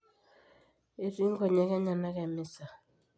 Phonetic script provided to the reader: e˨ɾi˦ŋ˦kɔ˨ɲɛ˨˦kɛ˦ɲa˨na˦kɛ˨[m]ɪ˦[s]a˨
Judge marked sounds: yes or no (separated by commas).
yes, yes